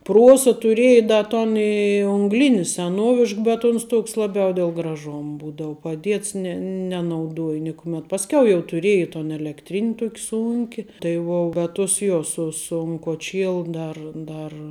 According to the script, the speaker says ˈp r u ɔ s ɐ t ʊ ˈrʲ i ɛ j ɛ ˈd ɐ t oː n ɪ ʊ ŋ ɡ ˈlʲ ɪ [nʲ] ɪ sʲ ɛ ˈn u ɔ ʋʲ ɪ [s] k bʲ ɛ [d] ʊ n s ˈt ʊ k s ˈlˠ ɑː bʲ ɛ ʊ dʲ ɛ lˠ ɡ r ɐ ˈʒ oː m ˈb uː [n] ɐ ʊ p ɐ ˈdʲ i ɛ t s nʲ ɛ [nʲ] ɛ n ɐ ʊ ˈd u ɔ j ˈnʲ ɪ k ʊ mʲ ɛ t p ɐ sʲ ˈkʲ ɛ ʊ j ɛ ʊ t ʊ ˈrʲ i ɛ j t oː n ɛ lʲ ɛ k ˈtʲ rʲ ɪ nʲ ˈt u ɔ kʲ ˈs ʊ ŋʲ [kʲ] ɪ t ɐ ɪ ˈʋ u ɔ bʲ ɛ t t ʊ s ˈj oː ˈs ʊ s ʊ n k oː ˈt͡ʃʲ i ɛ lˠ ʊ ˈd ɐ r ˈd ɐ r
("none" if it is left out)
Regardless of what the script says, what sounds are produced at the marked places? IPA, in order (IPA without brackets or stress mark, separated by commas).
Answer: nʲ, ʃ, t, d, nʲ, kʲ